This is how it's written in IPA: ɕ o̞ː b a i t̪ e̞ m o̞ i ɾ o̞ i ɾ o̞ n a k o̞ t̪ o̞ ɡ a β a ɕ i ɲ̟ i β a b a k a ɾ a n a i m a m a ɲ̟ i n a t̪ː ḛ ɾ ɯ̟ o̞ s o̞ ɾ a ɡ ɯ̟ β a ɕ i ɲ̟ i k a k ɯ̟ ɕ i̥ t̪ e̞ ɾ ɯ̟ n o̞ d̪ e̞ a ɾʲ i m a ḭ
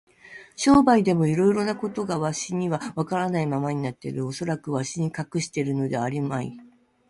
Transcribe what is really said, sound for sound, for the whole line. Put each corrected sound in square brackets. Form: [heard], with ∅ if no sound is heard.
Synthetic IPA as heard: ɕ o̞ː b a i [d̪] e̞ m o̞ i ɾ o̞ i ɾ o̞ n a k o̞ t̪ o̞ ɡ a β a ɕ i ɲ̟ i β a [β] a k a ɾ a n a i m a m a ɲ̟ i n a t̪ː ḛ ɾ ɯ̟ o̞ s o̞ ɾ a [k] ɯ̟ β a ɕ i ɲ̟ i k a k ɯ̟ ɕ i̥ t̪ e̞ ɾ ɯ̟ n o̞ d̪ e̞ a ɾʲ i m a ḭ

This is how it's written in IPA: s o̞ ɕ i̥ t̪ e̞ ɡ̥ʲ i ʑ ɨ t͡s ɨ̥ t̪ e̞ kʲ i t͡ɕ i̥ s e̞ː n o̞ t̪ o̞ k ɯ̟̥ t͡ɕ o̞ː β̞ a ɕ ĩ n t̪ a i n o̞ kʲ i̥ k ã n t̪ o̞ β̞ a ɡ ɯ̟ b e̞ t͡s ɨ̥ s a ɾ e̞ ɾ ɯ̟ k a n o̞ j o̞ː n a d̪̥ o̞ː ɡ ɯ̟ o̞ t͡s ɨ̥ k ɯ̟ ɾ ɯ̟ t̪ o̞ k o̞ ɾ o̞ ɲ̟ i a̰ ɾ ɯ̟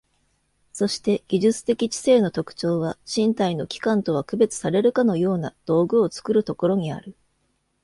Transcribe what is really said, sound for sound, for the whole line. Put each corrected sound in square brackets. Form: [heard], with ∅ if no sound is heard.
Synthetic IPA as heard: s o̞ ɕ i̥ t̪ e̞ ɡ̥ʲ i ʑ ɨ t͡s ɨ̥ t̪ e̞ kʲ i t͡ɕ i̥ s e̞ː n o̞ t̪ o̞ k ɯ̟̥ t͡ɕ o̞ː β̞ a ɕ ĩ n t̪ a i n o̞ kʲ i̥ k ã n t̪ o̞ β̞ a [k] ɯ̟ b e̞ t͡s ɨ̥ s a ɾ e̞ ɾ ɯ̟ k a n o̞ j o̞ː n a d̪̥ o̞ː ɡ ɯ̟ o̞ t͡s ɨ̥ k ɯ̟ ɾ ɯ̟ t̪ o̞ k o̞ ɾ o̞ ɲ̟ i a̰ ɾ ɯ̟

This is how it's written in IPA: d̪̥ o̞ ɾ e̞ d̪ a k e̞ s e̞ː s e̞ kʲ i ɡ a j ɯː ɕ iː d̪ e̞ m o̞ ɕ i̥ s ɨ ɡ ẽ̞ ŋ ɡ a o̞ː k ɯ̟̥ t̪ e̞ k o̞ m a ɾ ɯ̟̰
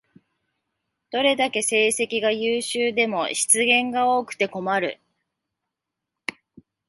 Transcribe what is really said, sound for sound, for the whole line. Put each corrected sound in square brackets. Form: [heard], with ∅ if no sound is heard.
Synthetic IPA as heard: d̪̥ o̞ ɾ e̞ d̪ a k e̞ s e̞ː s e̞ kʲ i ɡ a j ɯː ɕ [ɨː] d̪ e̞ m o̞ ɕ i̥ [t͡s] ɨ ɡ ẽ̞ ŋ ɡ a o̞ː k ɯ̟̥ t̪ e̞ k o̞ m a ɾ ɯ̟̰

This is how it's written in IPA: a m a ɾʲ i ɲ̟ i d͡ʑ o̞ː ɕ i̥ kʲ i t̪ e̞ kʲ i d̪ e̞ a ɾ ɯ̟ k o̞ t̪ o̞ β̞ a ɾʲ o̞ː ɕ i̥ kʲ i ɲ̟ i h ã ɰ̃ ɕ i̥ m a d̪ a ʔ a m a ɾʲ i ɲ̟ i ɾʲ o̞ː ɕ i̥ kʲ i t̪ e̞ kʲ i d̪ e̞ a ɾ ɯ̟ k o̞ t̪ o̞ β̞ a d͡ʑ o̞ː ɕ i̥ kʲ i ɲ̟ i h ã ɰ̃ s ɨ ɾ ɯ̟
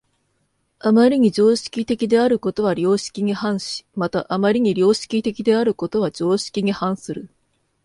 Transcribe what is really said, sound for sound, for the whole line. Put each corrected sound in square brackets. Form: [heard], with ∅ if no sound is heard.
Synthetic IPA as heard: a m a ɾʲ i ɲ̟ i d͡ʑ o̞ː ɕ i̥ kʲ i t̪ e̞ kʲ i d̪ e̞ a ɾ ɯ̟ k o̞ t̪ o̞ β̞ a ɾʲ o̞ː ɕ i̥ kʲ i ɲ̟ i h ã ɰ̃ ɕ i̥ m a [t̪] a ʔ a m a ɾʲ i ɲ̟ i ɾʲ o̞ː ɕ i̥ kʲ i t̪ e̞ kʲ i d̪ e̞ a ɾ ɯ̟ k o̞ t̪ o̞ β̞ a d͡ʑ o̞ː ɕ i̥ kʲ i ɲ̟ i h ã ɰ̃ s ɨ ɾ ɯ̟

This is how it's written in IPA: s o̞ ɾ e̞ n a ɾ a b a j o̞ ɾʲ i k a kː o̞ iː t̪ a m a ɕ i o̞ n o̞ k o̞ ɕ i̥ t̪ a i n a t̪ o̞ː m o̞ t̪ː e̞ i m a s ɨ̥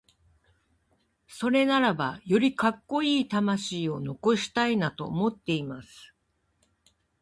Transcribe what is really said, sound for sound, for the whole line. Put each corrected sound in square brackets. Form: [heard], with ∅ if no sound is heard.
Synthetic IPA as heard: s o̞ ɾ e̞ n a ɾ a b a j o̞ ɾʲ i k a kː o̞ iː t̪ a m a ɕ [iː] o̞ n o̞ k o̞ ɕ i̥ t̪ a i n a t̪ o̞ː m o̞ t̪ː e̞ i m a s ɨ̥

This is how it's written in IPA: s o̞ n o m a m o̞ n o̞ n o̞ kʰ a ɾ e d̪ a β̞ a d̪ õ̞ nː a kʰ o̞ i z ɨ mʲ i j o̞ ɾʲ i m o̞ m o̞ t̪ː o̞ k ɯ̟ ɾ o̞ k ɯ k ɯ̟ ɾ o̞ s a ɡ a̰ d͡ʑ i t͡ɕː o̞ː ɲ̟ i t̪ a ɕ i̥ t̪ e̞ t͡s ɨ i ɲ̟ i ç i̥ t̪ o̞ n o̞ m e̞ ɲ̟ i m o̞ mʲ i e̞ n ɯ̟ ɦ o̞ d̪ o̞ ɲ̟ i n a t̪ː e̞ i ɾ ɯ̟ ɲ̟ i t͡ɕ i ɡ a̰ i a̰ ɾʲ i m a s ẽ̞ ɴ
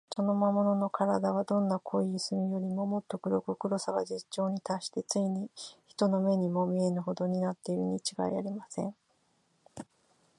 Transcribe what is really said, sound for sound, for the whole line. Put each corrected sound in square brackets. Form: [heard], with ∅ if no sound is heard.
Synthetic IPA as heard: s o̞ n o m a m o̞ n o̞ n o̞ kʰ a ɾ [a] d̪ a β̞ a d̪ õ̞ nː a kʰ o̞ i [s] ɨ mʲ i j o̞ ɾʲ i m o̞ m o̞ t̪ː o̞ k ɯ̟ ɾ o̞ k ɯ k ɯ̟ ɾ o̞ s a ɡ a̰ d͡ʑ i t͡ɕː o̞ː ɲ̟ i t̪ a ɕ i̥ t̪ e̞ t͡s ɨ i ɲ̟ i ç i̥ t̪ o̞ n o̞ m e̞ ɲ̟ i m o̞ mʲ i e̞ n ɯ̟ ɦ o̞ d̪ o̞ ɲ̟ i n a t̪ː e̞ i ɾ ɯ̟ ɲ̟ i t͡ɕ i ɡ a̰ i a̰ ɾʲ i m a s ẽ̞ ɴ

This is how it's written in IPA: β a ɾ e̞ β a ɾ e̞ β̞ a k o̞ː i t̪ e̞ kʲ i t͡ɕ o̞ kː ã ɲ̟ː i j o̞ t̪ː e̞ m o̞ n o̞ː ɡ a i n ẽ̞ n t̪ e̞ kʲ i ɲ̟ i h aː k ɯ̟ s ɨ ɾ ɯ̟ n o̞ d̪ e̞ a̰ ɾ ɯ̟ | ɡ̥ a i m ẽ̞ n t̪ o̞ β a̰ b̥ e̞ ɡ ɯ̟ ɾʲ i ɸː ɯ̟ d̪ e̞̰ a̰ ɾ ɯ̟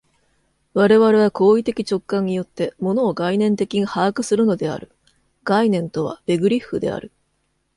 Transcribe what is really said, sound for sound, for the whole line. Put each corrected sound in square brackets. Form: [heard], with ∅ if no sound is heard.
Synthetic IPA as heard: β a ɾ e̞ β a ɾ e̞ β̞ a k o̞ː i t̪ e̞ kʲ i t͡ɕ o̞ kː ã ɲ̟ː i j o̞ t̪ː e̞ m o̞ n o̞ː ɡ a i n ẽ̞ n t̪ e̞ kʲ i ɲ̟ i h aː k ɯ̟ s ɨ ɾ ɯ̟ n o̞ d̪ e̞ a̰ ɾ ɯ̟ | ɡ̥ a i [n] ẽ̞ n t̪ o̞ β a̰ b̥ e̞ ɡ ɯ̟ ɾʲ i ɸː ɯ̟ d̪ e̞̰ a̰ ɾ ɯ̟

